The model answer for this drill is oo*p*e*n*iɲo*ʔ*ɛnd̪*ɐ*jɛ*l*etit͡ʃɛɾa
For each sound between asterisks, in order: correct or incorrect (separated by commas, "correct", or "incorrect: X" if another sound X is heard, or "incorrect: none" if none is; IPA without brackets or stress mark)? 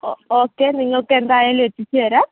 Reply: incorrect: k, correct, incorrect: k, incorrect: a, correct